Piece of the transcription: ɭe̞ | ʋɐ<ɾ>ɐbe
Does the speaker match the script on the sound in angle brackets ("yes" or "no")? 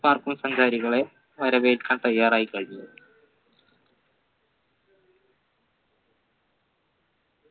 yes